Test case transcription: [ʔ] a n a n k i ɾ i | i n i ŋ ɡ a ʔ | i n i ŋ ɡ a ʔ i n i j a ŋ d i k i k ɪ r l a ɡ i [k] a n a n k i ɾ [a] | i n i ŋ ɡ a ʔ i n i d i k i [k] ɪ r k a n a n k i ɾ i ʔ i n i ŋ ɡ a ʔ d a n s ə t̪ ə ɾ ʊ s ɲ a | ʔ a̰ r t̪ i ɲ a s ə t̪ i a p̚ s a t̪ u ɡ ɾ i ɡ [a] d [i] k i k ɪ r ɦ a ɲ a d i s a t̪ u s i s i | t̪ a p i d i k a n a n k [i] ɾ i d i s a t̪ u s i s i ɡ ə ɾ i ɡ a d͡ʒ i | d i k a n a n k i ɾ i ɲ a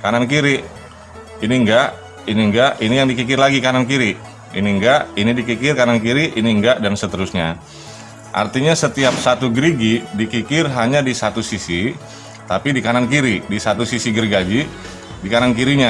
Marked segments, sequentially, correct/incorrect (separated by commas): incorrect, correct, incorrect, correct, incorrect, correct, correct